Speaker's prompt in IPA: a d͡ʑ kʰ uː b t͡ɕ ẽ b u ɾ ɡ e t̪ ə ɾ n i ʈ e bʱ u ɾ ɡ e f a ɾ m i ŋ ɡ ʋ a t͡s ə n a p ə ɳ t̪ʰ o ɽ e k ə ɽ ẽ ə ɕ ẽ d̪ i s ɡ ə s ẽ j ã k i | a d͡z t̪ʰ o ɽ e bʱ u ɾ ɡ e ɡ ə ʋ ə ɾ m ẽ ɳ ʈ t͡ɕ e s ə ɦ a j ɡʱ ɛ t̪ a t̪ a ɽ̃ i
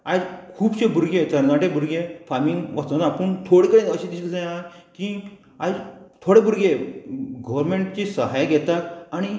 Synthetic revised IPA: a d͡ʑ kʰ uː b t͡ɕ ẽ b u ɾ ɡ e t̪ ə ɾ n a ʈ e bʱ u ɾ ɡ e f a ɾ m i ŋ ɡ ʋ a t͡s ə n a p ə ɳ t̪ʰ o ɽ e k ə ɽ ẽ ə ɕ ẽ d̪ i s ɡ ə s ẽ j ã k i | a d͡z t̪ʰ o ɽ e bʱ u ɾ ɡ e ɡ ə ʋ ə ɾ m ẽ ɳ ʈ t͡ɕ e s ə ɦ a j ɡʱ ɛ t̪ a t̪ a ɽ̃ i

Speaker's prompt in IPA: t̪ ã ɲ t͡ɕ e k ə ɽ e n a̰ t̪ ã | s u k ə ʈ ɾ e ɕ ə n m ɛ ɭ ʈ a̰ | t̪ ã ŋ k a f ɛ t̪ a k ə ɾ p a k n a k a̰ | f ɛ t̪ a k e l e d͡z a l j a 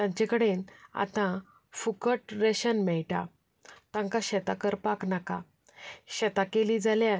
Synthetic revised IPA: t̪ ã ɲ t͡ɕ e k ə ɽ e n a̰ t̪ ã | f u k ə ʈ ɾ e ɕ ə n m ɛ ɭ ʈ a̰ | t̪ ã ŋ k a ɕ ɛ t̪ a k ə ɾ p a k n a k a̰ | ɕ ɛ t̪ a k e l i d͡z a l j a

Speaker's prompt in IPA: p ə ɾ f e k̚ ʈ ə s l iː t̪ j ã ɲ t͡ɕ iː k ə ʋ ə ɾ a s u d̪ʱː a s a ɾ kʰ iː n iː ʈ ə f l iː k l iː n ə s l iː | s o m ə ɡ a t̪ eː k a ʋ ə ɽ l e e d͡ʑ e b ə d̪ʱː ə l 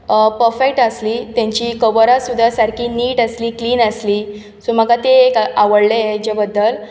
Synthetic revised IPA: p ə ɾ f e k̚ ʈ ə s l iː t̪ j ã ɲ t͡ɕ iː k ə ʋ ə ɾ a s u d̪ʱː a s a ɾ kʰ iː n iː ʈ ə s l iː k l iː n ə s l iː | s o m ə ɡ a t̪ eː k a ʋ ə ɽ l e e d͡ʑ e b ə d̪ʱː ə l

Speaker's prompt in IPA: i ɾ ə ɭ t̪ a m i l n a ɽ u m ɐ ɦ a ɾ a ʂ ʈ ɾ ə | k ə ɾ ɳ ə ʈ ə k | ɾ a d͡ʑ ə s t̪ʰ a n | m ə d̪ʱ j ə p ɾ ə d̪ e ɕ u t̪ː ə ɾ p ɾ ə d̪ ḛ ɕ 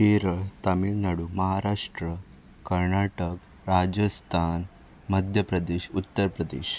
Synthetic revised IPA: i ɾ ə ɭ t̪ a m i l n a ɽ u m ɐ ɦ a ɾ a ʂ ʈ ɾ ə | k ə ɾ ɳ a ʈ ə k | ɾ a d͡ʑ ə s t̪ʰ a n | m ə d̪ʱ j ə p ɾ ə d̪ e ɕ u t̪ː ə ɾ p ɾ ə d̪ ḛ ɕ

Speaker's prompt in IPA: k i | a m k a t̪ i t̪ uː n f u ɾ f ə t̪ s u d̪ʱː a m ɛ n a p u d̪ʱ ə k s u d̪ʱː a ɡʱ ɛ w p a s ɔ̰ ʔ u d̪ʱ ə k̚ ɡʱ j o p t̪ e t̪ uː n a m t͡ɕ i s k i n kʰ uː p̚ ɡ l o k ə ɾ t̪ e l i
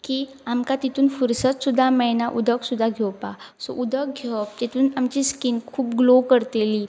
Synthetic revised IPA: k i | a m k a t̪ i t̪ uː n f u ɾ s ə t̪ s u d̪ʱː a m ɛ n a ʔ u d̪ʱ ə k s u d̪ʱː a ɡʱ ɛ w p a s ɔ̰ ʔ u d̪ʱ ə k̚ ɡʱ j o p t̪ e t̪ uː n a m t͡ɕ i s k i n kʰ uː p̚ ɡ l o k ə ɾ t̪ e l i

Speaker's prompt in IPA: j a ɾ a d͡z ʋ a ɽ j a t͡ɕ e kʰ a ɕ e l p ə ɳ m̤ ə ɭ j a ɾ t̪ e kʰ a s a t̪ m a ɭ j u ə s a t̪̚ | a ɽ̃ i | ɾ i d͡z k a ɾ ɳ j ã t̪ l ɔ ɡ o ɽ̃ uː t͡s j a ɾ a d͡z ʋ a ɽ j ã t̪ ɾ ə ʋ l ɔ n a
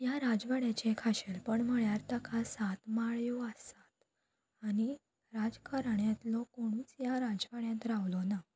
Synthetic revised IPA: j a ɾ a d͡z ʋ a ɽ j a t͡ɕ e kʰ a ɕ e l p ə ɳ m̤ ə ɭ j a ɾ t̪ a kʰ a s a t̪ m a ɭ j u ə s a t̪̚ | a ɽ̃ i | ɾ a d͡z k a ɾ ɳ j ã t̪ l ɔ k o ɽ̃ uː t͡s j a ɾ a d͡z ʋ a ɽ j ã t̪ ɾ a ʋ l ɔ n a

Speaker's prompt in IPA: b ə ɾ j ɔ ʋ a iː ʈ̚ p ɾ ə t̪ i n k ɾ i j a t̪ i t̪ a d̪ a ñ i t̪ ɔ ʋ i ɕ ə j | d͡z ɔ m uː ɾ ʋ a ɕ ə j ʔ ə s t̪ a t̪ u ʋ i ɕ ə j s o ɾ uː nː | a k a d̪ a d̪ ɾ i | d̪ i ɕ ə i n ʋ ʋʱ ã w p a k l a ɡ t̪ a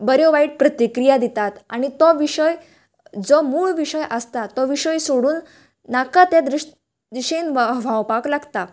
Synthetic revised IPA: b ə ɾ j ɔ ʋ a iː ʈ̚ p ɾ ə t̪ i k ɾ i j a d̪ i t̪ a t̪ a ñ i t̪ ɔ ʋ i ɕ ə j | d͡z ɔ m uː ɭ ʋ i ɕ ə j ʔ ə s t̪ a t̪ ɔ ʋ i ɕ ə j s o ɽ uː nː | a k a t̪ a d̪ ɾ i | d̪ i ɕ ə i n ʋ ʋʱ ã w p a k l a ɡ t̪ a

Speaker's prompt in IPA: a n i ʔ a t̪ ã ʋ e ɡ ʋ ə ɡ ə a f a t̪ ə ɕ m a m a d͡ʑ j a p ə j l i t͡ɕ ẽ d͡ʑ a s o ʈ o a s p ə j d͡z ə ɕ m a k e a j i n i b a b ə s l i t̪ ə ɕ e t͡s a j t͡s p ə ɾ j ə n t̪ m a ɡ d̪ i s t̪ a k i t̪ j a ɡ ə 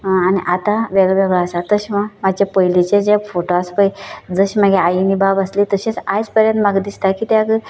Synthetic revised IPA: a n i ʔ a t̪ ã ʋ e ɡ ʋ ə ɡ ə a s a t̪ ə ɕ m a m a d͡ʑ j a p ə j l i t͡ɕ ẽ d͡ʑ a f o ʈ o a s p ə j d͡z ə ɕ m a ɡ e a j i n i b a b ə s l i t̪ ə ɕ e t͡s a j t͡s p ə ɾ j ə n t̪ m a ɡ d̪ i s t̪ a k i t̪ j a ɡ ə

